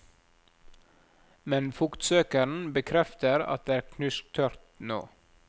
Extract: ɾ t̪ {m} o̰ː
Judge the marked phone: incorrect: n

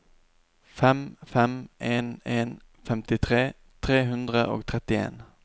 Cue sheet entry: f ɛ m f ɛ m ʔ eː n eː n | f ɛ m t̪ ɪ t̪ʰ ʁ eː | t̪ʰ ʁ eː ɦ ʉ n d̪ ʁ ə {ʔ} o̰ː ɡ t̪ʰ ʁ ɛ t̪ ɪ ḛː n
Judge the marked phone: correct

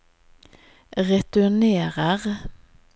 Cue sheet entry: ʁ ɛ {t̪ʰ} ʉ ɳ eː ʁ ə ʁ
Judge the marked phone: incorrect: t̪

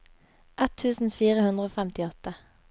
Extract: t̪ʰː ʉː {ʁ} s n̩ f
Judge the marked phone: incorrect: none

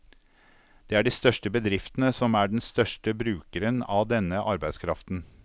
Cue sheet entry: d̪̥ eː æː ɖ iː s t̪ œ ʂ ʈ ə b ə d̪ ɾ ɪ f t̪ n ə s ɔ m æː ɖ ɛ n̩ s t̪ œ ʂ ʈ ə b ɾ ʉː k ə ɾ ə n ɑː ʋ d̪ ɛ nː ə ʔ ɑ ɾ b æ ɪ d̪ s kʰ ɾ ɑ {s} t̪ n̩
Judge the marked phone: incorrect: f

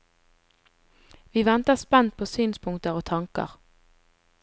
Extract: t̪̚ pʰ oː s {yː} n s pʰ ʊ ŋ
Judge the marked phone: correct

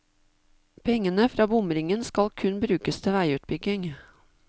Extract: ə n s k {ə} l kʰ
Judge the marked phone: incorrect: ɑ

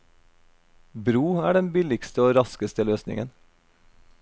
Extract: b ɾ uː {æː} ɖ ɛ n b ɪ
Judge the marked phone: correct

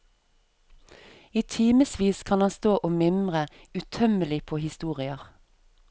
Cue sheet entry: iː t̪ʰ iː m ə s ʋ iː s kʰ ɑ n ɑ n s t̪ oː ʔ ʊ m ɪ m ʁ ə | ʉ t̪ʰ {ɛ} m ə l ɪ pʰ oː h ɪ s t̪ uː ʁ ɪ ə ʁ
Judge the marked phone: incorrect: œ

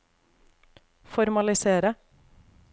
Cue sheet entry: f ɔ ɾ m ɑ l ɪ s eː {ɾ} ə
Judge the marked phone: correct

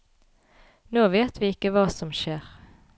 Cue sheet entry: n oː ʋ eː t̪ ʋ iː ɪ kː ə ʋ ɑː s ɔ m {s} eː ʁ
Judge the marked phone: incorrect: ʃ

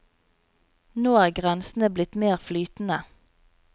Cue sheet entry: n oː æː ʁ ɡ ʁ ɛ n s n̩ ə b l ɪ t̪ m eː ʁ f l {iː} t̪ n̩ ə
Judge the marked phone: incorrect: yː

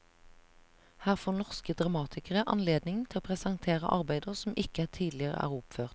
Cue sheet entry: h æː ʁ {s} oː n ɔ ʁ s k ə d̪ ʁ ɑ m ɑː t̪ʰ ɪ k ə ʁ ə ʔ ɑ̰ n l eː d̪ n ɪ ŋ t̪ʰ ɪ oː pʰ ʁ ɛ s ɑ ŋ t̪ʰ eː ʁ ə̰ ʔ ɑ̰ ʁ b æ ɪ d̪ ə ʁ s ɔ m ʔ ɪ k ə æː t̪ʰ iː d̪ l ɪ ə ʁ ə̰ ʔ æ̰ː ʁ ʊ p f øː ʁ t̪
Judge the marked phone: incorrect: f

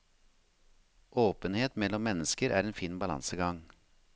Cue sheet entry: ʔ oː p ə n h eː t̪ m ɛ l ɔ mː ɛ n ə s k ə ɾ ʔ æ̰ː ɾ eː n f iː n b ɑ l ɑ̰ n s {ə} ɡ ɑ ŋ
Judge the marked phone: correct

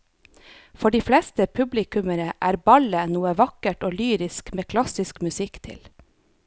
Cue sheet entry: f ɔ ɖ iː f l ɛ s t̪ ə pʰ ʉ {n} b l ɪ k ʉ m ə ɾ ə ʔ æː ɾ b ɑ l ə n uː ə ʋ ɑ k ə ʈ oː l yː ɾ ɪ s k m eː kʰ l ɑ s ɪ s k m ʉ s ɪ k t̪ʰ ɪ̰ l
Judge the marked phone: incorrect: none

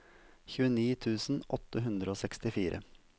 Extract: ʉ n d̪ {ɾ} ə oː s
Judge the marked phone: correct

